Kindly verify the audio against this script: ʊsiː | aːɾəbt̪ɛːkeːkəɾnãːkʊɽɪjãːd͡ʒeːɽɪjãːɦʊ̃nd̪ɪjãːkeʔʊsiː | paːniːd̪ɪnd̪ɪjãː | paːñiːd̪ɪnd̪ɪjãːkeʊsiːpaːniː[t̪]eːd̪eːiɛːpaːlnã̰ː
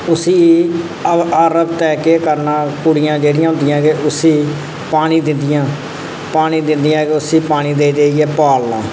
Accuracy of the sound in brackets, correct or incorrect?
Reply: incorrect